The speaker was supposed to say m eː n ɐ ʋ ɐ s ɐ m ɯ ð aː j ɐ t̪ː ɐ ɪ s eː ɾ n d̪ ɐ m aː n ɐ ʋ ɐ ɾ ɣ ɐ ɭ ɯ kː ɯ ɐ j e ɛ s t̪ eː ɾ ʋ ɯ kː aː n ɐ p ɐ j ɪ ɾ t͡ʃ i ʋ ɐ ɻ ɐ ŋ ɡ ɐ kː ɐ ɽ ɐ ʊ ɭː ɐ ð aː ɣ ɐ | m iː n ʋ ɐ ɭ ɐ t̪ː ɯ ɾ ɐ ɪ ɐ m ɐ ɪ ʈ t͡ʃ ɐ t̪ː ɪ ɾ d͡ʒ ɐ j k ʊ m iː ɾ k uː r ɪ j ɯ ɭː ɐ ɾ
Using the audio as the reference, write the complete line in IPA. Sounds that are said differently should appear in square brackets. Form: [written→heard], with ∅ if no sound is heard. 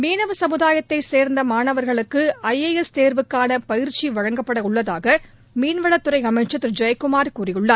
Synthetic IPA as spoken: m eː n ɐ ʋ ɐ s ɐ m ɯ ð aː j ɐ t̪ː ɐ ɪ s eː ɾ n d̪ ɐ m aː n ɐ ʋ ɐ ɾ ɣ ɐ ɭ ɯ kː ɯ ɐ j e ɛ s t̪ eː ɾ ʋ ɯ kː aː n ɐ p ɐ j ɪ ɾ t͡ʃ i ʋ ɐ ɻ ɐ ŋ ɡ ɐ [kː→pː] ɐ ɽ ɐ ʊ ɭː ɐ ð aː ɣ ɐ | m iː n ʋ ɐ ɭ ɐ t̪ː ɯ ɾ ɐ ɪ ɐ m ɐ ɪ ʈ t͡ʃ ɐ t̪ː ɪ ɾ d͡ʒ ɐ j k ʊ m [iː→aː] ɾ k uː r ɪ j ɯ ɭː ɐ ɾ